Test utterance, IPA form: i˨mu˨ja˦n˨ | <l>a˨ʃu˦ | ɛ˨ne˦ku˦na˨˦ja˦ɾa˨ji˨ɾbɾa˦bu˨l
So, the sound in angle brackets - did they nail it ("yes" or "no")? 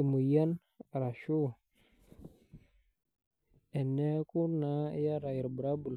no